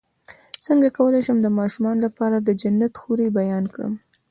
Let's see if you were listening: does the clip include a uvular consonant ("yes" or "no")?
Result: no